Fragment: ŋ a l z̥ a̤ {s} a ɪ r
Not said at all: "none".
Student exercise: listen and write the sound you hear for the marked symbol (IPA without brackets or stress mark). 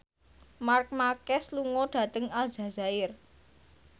z